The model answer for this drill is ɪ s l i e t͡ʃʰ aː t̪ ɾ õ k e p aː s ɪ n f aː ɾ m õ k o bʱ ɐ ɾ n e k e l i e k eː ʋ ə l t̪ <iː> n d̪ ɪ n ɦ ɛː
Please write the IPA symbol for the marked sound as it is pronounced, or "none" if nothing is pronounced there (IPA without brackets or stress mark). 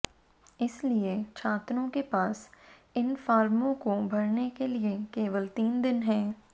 iː